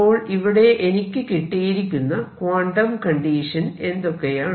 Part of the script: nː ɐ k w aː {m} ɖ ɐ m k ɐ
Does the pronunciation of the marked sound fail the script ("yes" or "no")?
yes